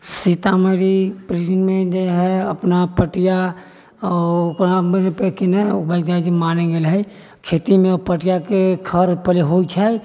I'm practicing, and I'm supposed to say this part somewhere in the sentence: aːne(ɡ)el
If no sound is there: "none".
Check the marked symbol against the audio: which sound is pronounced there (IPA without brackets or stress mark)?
ɡ